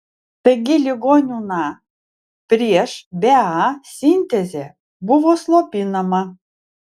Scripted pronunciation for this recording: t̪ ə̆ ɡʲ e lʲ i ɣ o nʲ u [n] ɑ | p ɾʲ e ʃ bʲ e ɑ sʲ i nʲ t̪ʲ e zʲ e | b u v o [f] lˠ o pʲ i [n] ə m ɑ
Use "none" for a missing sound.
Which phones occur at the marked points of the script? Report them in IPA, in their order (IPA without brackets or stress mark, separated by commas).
n, s, n